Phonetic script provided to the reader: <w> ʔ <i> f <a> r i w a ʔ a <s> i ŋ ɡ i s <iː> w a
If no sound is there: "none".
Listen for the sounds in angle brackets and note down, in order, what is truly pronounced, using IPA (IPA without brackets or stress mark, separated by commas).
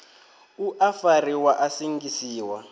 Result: u, a, a, s, iː